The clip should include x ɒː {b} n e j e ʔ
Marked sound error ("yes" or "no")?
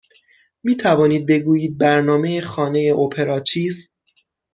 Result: yes